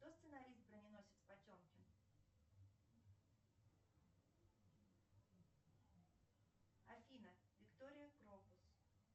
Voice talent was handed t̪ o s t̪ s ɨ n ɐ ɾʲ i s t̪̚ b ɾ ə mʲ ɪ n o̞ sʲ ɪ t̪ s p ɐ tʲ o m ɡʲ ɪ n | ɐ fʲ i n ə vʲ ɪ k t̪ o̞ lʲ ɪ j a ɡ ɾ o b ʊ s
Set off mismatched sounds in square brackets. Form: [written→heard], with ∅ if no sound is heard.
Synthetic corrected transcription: t̪ o s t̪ s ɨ n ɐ ɾʲ i s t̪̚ b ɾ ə [mʲ→nʲ] ɪ n o̞ sʲ ɪ t̪ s p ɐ tʲ o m [ɡʲ→kʲ] ɪ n | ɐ fʲ i n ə vʲ ɪ k t̪ o̞ [lʲ→ɾʲ] ɪ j [a→ə] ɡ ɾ o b ʊ s